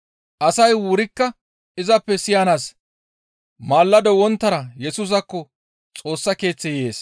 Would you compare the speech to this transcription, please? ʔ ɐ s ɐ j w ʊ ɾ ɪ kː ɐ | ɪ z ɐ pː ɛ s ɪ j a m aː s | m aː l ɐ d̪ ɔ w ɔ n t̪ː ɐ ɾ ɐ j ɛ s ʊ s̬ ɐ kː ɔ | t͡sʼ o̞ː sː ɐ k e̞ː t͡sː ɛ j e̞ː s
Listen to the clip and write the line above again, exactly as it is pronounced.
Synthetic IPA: ʔ ɐ s ɐ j w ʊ ɾ ɪ kː ɐ | ɪ z ɐ pː ɛ s ɪ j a n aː s | m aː lː ɐ d̪ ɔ w ɔ n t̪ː ɐ ɾ ɐ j ɛ s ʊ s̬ ɐ kː ɔ | t͡sʼ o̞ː sː ɐ k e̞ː t͡sː ɛ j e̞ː s